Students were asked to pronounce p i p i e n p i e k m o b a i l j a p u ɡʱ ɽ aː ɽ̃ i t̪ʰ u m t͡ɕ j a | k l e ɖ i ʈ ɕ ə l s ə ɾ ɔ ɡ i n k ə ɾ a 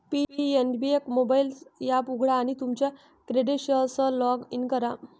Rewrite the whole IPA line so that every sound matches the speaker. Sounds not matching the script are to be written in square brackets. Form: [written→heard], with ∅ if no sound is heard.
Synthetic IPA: p i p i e n [p→b] i e k m o b a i l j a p u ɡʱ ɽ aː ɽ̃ i [t̪ʰ→t̪] u m t͡ɕ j a | k [l→ɾ] e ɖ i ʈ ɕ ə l s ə [ɾ→l] ɔ ɡ i n k ə ɾ a